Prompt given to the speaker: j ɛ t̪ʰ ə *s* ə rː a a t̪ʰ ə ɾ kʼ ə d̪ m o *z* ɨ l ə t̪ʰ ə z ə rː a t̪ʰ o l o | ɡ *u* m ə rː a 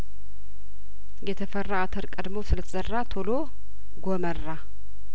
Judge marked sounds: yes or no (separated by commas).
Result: no, no, no